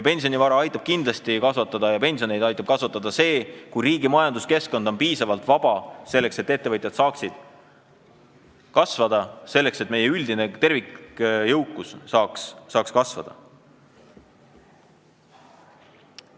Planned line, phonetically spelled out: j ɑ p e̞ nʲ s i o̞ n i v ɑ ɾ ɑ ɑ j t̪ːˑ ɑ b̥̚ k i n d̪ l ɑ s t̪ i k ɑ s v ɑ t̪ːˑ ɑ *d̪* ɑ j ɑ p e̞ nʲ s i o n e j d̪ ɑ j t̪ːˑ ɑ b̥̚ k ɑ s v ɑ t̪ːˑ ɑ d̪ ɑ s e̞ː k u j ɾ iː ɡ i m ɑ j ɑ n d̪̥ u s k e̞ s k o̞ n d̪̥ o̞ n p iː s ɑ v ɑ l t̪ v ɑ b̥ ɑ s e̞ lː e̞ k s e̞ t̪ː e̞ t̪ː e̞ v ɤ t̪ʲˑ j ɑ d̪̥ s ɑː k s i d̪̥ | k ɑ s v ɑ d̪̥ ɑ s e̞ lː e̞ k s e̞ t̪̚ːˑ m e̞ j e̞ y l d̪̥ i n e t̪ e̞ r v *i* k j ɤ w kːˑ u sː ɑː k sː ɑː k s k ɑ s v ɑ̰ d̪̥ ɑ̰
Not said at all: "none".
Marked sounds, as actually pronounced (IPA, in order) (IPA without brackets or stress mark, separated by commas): d̪, i